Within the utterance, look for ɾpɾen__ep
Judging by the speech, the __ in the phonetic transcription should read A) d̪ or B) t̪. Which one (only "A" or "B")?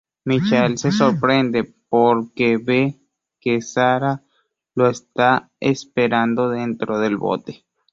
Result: A